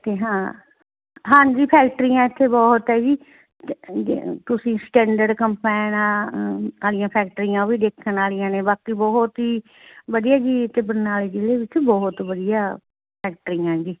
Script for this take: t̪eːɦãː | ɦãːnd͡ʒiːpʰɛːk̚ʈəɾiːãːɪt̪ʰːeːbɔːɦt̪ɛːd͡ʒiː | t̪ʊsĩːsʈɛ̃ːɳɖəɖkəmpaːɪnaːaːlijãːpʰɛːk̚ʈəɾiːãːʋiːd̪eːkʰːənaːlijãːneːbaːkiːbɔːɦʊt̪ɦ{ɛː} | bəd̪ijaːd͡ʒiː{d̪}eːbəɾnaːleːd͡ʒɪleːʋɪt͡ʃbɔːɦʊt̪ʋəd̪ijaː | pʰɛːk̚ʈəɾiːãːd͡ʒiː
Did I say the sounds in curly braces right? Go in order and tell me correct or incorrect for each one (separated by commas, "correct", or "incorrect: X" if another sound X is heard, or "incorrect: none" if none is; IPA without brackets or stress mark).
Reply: incorrect: iː, incorrect: t̪